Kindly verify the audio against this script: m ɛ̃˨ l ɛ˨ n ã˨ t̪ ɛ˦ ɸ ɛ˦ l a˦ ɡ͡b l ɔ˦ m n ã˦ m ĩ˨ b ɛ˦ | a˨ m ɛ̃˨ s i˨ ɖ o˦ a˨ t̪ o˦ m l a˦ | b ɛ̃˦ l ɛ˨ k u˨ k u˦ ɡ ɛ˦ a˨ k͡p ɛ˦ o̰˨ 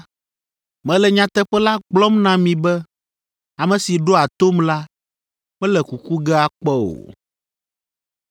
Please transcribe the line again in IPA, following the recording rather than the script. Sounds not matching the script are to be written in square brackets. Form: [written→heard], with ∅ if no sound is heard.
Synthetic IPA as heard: m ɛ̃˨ l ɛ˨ [n→ɲ] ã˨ t̪ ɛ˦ ɸ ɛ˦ l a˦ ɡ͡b l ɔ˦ m n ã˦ m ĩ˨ b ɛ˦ | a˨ m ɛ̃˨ s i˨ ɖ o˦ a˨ t̪ o˦ m l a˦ | [b→m] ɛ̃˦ l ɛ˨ k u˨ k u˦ ɡ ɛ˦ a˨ k͡p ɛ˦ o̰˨